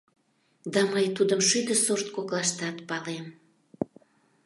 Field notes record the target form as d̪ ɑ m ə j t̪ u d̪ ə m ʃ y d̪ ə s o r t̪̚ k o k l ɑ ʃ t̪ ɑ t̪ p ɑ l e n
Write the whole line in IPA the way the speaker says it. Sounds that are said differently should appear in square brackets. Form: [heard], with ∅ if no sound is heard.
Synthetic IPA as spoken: d̪ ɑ m ə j t̪ u d̪ ə m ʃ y d̪ ə s o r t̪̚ k o k l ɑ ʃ t̪ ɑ t̪ p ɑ l e [m]